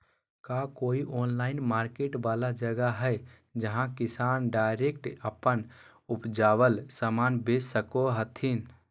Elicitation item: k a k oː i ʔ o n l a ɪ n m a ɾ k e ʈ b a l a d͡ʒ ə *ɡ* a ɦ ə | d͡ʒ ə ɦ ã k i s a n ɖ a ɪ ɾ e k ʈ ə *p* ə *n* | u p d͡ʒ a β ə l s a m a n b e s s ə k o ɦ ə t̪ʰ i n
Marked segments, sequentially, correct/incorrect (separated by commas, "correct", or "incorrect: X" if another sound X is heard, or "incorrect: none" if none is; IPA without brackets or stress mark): correct, correct, correct